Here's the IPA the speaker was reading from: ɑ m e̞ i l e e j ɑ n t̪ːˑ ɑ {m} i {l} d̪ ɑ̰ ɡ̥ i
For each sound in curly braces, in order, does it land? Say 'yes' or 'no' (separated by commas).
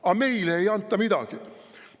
yes, no